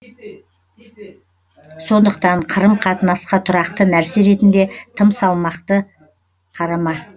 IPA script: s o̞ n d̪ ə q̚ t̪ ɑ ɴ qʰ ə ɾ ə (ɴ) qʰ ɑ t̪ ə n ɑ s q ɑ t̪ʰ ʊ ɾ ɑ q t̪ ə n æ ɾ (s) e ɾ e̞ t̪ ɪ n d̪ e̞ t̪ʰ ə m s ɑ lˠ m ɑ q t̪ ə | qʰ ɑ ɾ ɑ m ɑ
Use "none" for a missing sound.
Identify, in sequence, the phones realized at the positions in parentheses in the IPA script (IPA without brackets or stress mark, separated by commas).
m, s